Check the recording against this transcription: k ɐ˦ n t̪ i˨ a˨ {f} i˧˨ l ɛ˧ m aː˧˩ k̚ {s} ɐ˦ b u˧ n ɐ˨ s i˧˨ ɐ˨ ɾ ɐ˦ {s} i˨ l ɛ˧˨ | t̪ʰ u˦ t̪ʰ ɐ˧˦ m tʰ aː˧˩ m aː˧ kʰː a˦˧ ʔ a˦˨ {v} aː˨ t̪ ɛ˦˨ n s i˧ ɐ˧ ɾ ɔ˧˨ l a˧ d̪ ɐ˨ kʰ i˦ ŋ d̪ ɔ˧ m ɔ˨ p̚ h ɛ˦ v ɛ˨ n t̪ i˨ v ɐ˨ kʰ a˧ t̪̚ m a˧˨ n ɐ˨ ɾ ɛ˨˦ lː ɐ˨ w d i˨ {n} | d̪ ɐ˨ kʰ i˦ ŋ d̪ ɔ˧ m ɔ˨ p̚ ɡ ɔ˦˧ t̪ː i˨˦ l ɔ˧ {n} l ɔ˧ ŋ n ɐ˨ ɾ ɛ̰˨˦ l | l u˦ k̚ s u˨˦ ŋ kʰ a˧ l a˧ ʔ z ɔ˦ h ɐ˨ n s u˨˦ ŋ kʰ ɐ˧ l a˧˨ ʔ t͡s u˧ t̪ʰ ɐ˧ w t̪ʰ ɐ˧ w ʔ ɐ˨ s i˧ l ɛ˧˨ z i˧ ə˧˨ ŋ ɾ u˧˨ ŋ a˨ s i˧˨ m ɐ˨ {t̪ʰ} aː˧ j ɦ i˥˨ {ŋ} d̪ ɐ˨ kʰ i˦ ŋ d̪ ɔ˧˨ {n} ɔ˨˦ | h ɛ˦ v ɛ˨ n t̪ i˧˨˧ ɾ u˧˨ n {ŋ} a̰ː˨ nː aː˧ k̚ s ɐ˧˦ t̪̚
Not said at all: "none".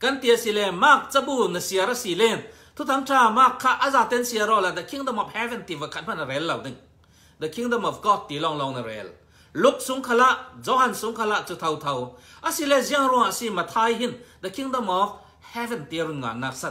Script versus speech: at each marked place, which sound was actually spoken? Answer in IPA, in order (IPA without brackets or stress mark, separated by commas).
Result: s, t͡s, s, z, ŋ, ŋ, t̪ʰ, n, m, ŋ